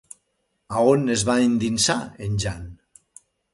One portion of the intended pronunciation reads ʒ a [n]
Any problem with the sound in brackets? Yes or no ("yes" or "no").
no